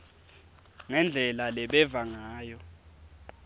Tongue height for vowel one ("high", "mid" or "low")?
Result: mid